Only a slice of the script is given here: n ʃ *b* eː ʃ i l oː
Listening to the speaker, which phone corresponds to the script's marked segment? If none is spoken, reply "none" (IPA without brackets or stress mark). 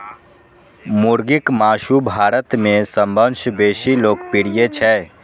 b